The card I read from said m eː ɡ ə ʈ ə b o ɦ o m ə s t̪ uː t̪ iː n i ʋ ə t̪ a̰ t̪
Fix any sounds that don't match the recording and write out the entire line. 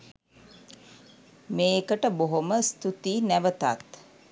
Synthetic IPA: m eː k ə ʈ ə b o ɦ o m ə s t̪ u t̪ iː n æ ʋ ə t̪ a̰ t̪